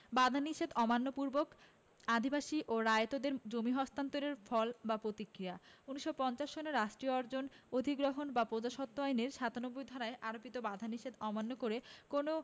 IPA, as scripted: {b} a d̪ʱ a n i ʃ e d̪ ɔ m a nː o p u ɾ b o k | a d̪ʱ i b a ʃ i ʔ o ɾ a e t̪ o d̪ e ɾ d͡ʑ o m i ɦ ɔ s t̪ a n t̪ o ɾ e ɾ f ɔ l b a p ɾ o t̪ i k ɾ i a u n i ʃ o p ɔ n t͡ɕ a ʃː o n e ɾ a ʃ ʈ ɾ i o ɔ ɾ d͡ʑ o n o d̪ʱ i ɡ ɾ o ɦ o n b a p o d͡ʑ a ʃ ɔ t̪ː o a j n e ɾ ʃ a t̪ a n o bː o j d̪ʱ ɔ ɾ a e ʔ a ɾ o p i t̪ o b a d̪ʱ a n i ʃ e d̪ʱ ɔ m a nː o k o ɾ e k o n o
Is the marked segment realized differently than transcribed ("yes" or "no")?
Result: no